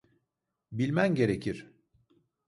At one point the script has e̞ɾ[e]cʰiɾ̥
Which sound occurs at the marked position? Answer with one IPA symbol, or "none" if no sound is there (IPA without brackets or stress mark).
e